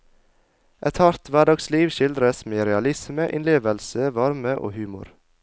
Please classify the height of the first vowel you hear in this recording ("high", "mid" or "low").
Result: mid